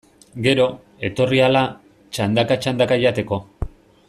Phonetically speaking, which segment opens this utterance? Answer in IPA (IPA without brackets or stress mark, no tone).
ɡ